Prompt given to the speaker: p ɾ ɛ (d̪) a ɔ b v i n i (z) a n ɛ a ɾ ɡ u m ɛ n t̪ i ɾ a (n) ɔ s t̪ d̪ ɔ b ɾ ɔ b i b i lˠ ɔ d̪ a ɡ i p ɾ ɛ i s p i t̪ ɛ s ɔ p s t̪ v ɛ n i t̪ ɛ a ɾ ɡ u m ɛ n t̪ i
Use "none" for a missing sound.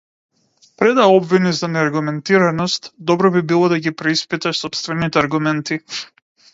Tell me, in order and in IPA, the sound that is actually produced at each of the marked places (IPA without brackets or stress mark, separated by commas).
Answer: d̪, z, n